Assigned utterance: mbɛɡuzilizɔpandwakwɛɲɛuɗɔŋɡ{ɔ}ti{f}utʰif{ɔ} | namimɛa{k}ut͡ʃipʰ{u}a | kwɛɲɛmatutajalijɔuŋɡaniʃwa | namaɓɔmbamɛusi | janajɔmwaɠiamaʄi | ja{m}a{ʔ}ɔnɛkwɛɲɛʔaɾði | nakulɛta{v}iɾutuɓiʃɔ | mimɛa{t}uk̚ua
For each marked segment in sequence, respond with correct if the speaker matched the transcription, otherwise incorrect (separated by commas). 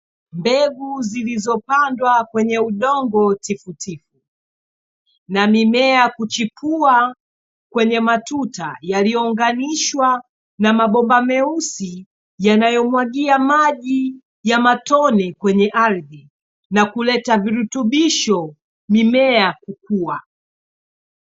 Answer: correct, correct, incorrect, correct, correct, correct, incorrect, correct, incorrect